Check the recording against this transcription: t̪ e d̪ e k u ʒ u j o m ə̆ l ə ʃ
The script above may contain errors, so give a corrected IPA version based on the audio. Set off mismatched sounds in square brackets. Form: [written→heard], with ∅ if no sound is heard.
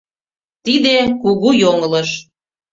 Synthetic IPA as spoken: t̪ [e→i] d̪ e k u [ʒ→ɣ] u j o [m→ŋ] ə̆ l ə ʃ